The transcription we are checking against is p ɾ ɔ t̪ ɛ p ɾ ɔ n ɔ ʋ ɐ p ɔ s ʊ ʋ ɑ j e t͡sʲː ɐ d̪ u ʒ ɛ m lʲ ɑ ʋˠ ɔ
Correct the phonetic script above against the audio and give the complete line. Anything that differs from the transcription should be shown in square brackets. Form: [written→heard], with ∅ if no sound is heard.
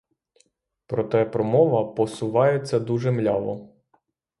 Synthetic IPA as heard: p ɾ ɔ t̪ ɛ p ɾ ɔ [n→m] ɔ ʋ ɐ p ɔ s ʊ ʋ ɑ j e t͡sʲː ɐ d̪ u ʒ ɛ m lʲ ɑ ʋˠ ɔ